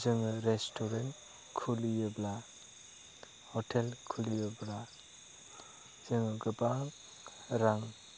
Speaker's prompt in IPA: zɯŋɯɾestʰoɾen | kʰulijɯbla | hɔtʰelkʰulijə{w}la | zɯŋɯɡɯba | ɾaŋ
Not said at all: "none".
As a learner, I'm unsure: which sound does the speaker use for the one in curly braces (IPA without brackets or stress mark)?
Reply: b